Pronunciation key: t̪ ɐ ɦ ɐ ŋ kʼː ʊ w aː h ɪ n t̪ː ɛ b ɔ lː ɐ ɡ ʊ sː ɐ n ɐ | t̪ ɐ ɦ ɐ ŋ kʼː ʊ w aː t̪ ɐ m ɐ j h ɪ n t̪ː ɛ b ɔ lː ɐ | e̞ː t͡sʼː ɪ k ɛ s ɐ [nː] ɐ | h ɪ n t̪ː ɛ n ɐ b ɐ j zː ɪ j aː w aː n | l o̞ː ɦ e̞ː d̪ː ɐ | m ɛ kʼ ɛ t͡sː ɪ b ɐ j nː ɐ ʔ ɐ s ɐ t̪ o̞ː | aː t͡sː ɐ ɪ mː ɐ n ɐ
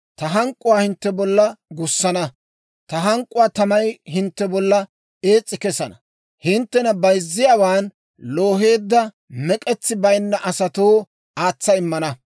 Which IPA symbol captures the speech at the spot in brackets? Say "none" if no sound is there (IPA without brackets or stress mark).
n